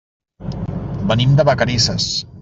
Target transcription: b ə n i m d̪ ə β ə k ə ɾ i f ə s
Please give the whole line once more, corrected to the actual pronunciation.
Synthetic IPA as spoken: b ə n i m d̪ ə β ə k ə ɾ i s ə s